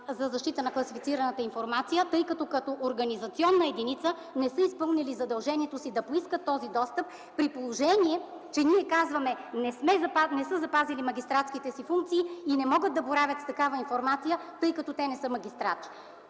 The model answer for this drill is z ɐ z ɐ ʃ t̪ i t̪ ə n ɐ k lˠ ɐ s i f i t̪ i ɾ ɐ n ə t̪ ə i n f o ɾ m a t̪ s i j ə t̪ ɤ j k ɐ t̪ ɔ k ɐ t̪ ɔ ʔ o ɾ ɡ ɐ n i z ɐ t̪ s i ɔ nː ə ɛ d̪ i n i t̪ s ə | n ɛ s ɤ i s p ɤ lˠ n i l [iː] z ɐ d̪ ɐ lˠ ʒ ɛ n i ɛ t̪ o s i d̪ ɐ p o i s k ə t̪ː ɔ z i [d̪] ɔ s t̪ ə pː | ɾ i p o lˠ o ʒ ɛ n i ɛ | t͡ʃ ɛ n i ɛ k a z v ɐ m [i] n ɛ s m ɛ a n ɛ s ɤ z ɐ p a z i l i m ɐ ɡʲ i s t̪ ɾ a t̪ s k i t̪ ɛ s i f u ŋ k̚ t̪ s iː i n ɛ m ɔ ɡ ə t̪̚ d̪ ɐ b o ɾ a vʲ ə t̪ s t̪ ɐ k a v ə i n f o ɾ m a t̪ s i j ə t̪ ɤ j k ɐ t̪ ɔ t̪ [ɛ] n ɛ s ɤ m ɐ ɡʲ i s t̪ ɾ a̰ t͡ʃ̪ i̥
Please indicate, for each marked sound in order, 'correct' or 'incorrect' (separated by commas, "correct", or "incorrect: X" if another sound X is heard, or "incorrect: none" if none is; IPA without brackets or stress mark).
incorrect: i, correct, incorrect: ɛ, correct